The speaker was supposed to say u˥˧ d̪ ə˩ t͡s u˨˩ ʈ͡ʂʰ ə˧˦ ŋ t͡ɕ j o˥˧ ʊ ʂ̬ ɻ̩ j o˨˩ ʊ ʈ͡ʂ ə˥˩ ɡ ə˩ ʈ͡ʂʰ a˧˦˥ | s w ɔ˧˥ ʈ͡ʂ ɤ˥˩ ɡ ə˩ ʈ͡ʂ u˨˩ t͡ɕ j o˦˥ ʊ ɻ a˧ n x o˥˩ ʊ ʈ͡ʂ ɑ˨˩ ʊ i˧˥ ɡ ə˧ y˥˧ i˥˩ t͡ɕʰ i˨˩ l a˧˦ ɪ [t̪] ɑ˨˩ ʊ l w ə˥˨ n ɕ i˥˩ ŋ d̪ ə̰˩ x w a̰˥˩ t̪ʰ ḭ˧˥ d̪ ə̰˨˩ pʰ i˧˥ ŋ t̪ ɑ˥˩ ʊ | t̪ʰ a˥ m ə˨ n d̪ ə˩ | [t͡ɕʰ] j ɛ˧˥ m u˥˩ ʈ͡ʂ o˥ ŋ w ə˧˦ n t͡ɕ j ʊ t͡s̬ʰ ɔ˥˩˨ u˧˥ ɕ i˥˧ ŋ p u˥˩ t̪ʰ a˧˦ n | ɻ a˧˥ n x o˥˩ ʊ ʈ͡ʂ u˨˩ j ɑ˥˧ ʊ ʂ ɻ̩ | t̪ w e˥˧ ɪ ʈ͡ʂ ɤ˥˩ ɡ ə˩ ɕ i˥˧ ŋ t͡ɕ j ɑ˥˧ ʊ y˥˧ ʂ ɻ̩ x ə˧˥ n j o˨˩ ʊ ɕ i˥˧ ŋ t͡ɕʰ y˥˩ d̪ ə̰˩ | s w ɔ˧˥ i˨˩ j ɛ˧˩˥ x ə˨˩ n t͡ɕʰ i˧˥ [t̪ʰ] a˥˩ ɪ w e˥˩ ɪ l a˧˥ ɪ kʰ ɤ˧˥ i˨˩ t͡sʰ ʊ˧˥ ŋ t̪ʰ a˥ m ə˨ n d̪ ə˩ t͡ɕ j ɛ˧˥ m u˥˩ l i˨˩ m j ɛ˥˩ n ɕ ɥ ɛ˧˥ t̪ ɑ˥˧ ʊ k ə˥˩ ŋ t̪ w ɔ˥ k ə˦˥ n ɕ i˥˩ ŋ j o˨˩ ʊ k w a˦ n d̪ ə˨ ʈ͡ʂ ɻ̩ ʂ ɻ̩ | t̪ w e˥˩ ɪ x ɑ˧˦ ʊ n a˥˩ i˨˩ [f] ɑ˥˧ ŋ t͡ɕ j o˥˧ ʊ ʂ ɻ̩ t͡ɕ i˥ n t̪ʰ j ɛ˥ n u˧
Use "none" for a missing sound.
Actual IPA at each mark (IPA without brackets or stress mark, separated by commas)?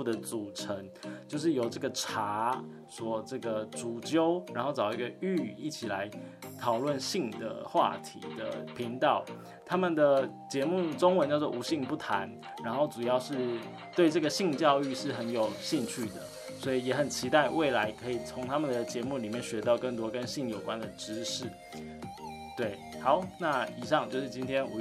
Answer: t̪ʰ, t͡ɕ, t̪, ʂ